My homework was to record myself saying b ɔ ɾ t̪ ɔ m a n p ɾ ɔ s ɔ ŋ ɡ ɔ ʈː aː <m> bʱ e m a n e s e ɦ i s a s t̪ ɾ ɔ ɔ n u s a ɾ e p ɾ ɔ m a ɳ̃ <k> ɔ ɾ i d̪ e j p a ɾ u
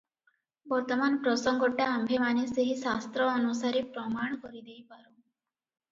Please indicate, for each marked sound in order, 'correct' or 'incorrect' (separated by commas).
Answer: correct, correct